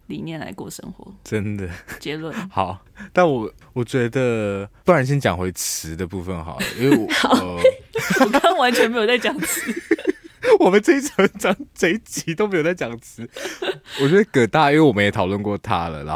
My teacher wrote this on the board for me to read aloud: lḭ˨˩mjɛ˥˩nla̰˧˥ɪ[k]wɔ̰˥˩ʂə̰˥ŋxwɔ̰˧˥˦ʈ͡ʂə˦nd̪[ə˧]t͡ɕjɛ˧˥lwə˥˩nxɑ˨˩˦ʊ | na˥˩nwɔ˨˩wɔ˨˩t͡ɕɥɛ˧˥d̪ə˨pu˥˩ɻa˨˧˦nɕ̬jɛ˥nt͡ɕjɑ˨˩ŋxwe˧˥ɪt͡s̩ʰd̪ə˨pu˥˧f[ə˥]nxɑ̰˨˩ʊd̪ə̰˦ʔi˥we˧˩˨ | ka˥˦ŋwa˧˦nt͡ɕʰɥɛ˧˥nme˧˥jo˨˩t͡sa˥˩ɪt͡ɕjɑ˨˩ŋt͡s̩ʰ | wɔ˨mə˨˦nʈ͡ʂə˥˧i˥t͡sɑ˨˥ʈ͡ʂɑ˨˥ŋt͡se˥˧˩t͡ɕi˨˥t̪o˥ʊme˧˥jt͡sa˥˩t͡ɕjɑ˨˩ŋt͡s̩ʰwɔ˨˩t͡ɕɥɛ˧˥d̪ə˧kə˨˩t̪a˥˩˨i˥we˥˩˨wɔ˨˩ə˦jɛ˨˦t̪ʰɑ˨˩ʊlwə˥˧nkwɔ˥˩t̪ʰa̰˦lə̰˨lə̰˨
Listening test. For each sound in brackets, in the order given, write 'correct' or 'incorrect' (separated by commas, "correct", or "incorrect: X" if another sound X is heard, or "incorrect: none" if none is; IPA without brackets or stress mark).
correct, incorrect: ə˩, incorrect: ə˨